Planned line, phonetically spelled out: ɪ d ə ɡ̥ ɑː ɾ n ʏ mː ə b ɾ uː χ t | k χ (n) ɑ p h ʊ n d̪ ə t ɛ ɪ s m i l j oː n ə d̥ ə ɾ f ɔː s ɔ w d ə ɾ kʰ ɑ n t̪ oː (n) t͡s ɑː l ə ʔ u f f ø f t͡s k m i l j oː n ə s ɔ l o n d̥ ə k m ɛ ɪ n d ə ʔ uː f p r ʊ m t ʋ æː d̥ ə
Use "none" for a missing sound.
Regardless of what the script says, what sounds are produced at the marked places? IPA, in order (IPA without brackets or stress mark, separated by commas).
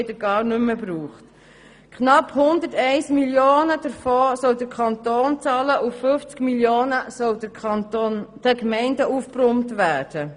n, n